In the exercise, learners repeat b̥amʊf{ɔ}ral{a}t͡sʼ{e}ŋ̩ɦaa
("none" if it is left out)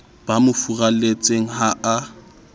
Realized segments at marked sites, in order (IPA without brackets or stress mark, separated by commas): u, e, e